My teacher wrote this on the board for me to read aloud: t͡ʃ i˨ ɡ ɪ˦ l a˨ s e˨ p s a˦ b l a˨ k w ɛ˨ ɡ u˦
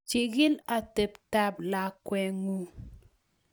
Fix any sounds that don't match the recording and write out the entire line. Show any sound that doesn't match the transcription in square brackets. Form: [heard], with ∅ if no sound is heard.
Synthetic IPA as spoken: t͡ʃ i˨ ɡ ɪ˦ l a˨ [t] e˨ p [t] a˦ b l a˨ k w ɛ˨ [ŋ] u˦